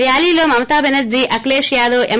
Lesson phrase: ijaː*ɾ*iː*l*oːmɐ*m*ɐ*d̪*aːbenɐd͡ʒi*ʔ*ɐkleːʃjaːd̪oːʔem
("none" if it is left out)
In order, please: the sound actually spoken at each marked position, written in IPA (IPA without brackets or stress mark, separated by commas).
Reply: l, l, m, t̪, ʔ